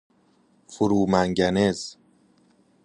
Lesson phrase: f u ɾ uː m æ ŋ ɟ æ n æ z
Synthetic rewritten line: f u ɾ uː m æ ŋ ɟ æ n e z